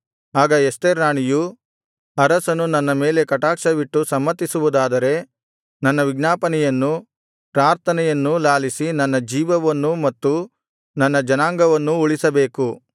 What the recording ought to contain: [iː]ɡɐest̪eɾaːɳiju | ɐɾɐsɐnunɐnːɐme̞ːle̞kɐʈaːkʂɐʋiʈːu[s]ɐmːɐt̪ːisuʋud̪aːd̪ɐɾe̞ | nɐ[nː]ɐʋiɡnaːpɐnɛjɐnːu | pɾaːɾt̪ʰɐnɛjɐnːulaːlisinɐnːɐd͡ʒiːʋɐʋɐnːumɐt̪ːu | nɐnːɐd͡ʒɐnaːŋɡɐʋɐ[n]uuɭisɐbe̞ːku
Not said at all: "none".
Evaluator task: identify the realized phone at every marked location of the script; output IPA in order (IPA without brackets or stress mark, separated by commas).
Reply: aː, s, nː, nː